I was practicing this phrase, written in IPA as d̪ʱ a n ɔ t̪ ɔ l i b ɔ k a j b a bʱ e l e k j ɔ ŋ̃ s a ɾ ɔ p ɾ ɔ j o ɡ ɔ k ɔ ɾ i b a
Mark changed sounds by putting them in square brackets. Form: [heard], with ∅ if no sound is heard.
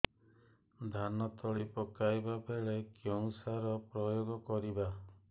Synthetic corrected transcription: d̪ʱ a n ɔ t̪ ɔ [ɭ] i [p] ɔ k a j b a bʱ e [ɭ] e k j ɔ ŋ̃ s a ɾ ɔ p ɾ ɔ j o ɡ ɔ k ɔ ɾ i b a